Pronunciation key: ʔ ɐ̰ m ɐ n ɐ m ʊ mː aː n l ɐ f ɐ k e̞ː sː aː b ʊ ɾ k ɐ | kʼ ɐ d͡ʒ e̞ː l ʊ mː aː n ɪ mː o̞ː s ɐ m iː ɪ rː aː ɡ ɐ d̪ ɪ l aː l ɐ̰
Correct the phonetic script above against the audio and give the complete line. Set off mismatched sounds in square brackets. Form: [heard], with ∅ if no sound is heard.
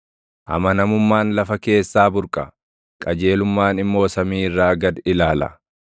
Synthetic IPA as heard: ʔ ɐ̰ m ɐ n ɐ m ʊ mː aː n l ɐ f ɐ k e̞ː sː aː b ʊ ɾ [kʼ] ɐ | kʼ ɐ d͡ʒ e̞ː l ʊ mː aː n ɪ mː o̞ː s ɐ m iː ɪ rː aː ɡ ɐ d̪ ɪ l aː l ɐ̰